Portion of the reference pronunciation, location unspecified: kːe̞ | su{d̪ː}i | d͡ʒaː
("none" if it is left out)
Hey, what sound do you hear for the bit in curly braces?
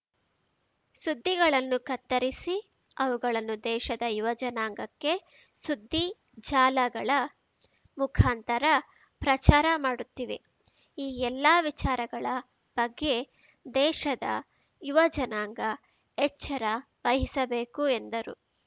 d̪ː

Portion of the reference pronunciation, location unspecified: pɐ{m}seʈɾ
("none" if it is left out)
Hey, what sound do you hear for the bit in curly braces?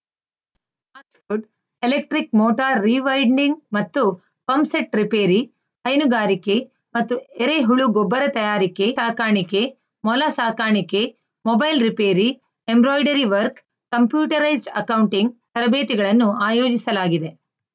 m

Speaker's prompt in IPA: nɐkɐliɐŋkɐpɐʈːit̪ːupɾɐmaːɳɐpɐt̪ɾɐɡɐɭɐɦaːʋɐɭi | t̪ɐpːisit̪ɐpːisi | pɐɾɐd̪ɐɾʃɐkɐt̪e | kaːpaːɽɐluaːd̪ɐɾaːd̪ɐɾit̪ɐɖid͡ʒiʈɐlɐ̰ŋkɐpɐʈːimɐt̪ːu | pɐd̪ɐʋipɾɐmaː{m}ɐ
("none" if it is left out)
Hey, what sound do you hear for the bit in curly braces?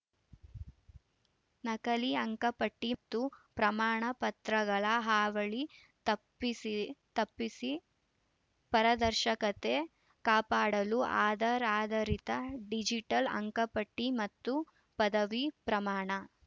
ɳ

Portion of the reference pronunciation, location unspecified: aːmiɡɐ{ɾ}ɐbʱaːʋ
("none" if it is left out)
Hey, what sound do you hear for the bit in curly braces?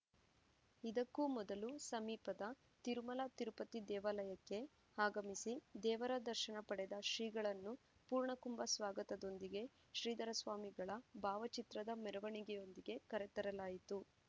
ɭ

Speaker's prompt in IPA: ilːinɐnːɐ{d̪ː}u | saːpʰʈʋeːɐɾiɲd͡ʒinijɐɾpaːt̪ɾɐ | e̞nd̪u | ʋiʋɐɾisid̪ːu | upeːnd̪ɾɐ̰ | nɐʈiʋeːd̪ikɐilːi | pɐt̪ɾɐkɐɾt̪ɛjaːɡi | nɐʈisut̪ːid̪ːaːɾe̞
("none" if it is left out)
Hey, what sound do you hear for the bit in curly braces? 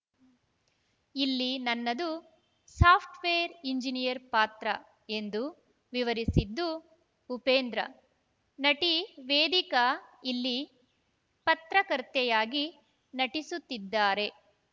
d̪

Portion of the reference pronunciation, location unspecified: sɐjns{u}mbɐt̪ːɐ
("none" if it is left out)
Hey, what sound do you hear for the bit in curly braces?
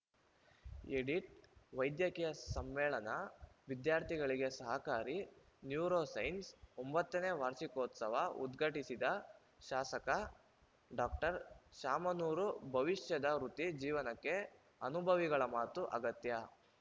o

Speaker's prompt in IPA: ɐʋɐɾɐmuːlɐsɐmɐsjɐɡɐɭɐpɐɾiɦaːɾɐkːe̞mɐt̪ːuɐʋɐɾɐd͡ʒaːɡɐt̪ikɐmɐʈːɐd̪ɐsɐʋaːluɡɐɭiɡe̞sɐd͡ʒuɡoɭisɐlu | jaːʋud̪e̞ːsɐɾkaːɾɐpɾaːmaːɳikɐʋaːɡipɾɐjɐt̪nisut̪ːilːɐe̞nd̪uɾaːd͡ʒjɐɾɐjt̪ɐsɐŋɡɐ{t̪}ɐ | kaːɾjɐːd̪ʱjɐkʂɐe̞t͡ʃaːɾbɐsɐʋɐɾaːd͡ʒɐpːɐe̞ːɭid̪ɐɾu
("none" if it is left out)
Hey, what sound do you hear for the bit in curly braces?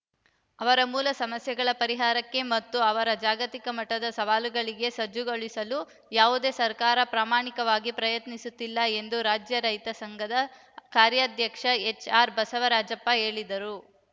d̪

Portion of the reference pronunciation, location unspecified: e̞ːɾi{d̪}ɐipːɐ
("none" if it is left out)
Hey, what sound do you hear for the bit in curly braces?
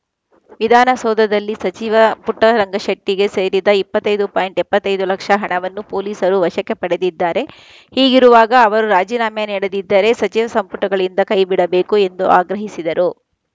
d̪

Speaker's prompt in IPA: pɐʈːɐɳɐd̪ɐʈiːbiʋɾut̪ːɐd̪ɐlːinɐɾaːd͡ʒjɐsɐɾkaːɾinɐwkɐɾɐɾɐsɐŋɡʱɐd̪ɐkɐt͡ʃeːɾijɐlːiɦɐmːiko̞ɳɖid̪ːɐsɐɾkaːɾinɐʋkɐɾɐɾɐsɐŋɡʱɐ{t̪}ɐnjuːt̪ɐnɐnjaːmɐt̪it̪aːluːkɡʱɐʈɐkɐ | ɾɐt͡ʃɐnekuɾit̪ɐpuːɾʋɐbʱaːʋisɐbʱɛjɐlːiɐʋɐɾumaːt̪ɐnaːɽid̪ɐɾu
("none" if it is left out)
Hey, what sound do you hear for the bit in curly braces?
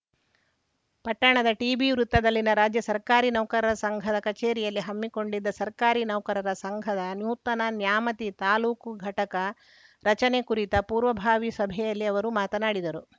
d̪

